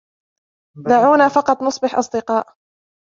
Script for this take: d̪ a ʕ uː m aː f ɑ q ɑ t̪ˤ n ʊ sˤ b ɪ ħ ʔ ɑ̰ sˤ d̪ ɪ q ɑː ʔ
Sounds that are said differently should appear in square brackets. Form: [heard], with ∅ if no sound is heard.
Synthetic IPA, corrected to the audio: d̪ a ʕ uː [n] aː f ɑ q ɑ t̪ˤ n ʊ sˤ b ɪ ħ ʔ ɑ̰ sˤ d̪ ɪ q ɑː ʔ